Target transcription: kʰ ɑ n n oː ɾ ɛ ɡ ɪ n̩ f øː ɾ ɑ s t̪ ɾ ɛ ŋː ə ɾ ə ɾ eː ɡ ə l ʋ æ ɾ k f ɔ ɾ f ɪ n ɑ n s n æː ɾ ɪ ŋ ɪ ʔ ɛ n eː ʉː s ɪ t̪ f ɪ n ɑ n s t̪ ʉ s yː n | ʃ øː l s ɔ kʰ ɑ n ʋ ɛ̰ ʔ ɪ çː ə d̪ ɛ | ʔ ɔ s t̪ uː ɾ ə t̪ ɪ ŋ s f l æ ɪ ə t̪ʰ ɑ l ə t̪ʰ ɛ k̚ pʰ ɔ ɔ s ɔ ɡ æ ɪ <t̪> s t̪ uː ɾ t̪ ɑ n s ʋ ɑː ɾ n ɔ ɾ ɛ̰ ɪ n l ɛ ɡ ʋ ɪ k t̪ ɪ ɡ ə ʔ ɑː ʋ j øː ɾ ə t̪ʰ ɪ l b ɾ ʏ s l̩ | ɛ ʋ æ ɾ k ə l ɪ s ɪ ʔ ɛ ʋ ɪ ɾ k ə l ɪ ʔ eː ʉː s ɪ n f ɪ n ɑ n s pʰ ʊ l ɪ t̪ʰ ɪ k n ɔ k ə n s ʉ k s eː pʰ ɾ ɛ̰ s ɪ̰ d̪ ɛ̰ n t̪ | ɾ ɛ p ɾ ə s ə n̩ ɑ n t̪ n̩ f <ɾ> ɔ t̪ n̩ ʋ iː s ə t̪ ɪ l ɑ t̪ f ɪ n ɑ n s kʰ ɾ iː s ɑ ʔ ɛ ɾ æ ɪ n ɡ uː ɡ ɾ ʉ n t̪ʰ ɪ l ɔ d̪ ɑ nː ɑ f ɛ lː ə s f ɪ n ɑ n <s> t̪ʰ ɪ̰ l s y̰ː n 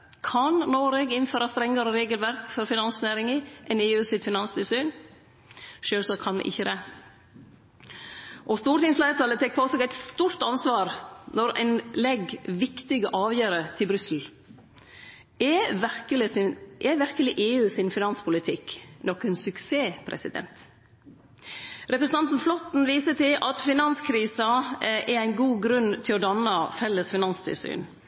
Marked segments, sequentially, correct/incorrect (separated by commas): correct, incorrect, correct